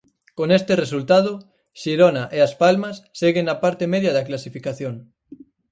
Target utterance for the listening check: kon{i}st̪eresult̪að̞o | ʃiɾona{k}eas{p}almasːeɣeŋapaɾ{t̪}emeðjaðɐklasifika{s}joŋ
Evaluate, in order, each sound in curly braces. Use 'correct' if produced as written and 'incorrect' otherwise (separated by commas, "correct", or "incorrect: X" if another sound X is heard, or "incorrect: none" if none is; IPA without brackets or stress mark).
incorrect: e, incorrect: ʔ, correct, correct, incorrect: θ